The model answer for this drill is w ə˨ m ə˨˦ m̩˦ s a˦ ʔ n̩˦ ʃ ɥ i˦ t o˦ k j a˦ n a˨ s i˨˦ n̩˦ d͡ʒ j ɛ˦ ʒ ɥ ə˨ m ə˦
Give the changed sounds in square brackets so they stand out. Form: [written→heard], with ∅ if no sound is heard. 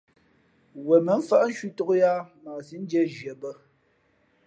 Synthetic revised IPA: w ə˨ m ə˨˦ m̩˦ [s→f] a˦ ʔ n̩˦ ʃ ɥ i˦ t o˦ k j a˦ [n→m] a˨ s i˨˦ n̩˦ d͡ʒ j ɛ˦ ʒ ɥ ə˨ [m→b] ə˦